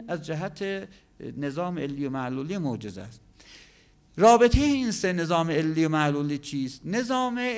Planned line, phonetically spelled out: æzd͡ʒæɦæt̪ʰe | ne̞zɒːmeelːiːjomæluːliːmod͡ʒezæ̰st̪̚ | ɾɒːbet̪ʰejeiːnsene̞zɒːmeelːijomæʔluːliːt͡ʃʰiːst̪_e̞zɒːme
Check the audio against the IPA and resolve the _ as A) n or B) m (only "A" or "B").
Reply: A